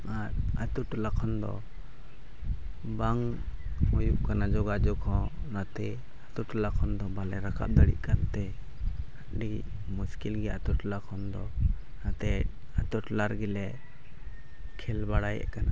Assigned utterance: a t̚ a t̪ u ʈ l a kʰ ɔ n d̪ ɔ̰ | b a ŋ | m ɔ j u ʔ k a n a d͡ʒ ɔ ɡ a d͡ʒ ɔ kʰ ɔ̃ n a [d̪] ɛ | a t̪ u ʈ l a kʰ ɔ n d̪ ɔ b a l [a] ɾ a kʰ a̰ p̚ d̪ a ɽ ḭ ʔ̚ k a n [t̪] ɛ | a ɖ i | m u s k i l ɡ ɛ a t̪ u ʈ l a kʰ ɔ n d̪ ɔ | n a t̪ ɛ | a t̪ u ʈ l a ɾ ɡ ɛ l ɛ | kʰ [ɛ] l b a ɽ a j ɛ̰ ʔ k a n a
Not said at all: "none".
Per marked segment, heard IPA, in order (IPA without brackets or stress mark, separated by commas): t̪, ɛ, t̪, ɛ